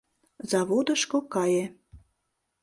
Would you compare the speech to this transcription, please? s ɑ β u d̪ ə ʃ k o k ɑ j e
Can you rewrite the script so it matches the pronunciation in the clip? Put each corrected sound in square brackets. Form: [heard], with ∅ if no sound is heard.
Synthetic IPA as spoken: [z] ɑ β [o] d̪ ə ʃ k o k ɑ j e